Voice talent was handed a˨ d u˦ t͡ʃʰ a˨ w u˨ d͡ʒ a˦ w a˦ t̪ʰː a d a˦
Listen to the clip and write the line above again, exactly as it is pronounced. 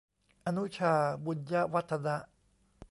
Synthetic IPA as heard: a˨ n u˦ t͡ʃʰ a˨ b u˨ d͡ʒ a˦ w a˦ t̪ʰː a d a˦